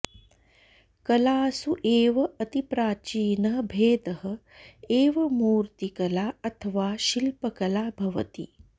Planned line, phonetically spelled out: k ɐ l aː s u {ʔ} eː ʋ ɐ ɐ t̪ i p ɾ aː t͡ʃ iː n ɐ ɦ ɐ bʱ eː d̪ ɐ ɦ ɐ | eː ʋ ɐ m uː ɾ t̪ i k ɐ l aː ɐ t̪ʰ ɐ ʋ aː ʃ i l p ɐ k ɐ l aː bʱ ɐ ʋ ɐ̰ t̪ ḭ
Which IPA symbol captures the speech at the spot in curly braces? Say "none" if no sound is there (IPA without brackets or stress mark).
ʔ